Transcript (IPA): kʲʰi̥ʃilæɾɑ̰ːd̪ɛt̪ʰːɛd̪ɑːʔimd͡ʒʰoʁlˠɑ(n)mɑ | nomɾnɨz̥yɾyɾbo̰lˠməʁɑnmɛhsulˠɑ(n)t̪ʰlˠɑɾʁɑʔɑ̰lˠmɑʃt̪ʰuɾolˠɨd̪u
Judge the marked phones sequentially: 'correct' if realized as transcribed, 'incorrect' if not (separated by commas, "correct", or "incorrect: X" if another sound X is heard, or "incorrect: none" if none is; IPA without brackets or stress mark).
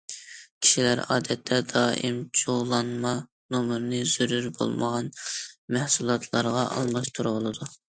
correct, incorrect: none